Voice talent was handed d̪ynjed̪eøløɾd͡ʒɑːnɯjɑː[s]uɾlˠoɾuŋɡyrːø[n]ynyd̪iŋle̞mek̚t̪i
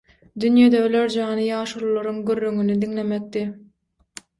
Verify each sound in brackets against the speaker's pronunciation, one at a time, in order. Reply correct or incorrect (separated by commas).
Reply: incorrect, incorrect